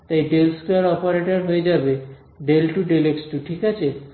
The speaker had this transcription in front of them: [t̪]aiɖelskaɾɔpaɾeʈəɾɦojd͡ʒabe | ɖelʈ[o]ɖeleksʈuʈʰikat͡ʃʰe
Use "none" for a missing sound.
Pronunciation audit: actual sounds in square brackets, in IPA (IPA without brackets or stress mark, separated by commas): t̪, u